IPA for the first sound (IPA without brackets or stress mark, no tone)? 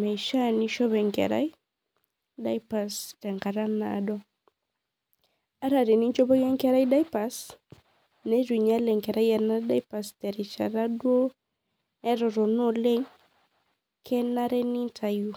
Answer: m